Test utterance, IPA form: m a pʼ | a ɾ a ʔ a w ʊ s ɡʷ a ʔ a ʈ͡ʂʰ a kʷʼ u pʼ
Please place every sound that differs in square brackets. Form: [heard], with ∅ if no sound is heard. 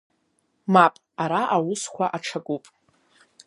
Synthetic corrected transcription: m a pʼ | a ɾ a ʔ a w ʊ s [kʷ] a ʔ a ʈ͡ʂʰ a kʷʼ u pʼ